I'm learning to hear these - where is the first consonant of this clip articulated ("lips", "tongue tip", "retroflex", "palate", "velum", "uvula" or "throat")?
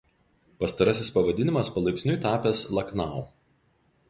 lips